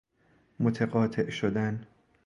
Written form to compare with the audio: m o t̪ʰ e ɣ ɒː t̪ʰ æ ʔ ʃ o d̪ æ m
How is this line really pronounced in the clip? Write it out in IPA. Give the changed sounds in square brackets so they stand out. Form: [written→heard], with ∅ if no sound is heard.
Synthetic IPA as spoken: m o t̪ʰ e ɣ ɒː t̪ʰ [æ→e] ʔ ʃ o d̪ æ [m→n]